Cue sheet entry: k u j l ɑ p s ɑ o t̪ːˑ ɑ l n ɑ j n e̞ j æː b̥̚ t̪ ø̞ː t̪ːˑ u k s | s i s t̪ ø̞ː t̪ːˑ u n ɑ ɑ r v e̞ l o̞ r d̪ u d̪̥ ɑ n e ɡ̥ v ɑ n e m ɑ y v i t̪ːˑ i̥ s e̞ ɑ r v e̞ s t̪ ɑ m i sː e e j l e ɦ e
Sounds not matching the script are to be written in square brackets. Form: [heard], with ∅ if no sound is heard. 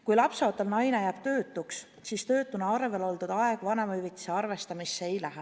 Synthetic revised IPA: k u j l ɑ p s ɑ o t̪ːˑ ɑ l n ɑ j n e̞ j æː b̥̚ t̪ ø̞ː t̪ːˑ u k s | s i s t̪ ø̞ː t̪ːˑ u n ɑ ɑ r v e̞ l o̞ [l] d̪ u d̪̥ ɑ [∅] e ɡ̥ v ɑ n e m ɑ y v i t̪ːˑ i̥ s e̞ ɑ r v e̞ s t̪ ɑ m i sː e e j l [æ] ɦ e